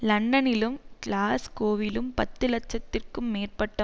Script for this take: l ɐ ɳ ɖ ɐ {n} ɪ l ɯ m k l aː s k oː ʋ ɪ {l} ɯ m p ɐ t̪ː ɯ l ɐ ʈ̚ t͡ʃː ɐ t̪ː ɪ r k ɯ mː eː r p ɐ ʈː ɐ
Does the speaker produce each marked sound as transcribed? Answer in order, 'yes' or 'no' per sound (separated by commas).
yes, yes